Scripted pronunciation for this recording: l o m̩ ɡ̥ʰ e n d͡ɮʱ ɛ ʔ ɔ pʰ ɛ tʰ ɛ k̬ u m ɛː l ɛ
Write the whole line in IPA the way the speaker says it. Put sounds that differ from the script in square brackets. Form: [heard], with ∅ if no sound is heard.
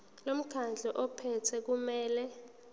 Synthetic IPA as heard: l o m̩ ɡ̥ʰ [a] n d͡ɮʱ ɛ ʔ ɔ pʰ ɛ tʰ ɛ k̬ u m ɛː l ɛ